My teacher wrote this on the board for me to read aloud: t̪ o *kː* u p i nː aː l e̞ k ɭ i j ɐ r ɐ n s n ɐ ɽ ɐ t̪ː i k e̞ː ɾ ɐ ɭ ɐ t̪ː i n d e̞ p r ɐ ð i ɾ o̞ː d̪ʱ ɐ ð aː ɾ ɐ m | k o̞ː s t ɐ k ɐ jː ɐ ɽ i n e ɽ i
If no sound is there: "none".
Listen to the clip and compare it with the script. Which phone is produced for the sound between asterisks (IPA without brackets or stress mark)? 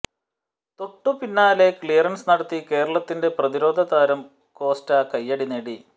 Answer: ʈː